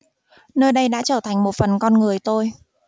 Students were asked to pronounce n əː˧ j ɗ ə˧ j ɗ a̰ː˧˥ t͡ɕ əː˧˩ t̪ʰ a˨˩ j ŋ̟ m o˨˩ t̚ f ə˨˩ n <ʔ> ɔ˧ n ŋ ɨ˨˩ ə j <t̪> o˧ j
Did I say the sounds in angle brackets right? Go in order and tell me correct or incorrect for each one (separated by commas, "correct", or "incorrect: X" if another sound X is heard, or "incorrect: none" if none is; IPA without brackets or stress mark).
incorrect: k, correct